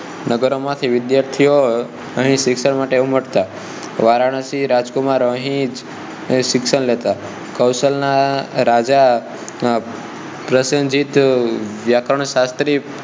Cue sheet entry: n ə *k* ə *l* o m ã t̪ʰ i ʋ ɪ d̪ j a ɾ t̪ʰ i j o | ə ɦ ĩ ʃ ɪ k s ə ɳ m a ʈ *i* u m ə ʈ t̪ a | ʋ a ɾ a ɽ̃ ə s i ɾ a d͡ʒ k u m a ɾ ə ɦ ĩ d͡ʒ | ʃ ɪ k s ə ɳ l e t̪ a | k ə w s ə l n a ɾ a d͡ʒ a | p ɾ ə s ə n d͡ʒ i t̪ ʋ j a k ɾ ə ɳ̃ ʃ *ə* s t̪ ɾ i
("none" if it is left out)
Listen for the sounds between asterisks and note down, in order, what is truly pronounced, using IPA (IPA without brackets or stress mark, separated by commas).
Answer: ɡ, ɾ, e, a